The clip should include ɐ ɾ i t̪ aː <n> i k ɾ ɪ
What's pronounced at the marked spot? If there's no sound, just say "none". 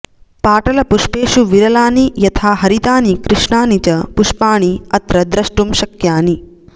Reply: n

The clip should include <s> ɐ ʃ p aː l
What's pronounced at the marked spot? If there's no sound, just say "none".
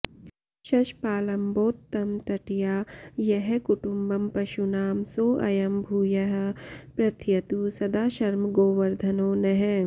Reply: ʃ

